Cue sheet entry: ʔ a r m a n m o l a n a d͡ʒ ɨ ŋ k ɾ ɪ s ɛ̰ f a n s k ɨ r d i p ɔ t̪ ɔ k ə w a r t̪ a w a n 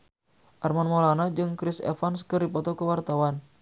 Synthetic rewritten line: ʔ a r m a n m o l a n a d͡ʒ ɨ ŋ k ɾ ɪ s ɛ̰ f a n s k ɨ r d i p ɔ t̪ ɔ k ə w a r t̪ a w a n